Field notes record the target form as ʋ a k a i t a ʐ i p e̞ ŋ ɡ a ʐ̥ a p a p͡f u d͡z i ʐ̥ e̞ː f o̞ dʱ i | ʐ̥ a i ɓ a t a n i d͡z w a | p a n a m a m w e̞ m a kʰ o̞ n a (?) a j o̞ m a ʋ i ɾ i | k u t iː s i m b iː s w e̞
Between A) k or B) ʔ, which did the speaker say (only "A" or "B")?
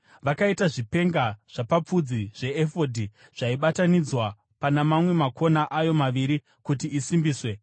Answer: B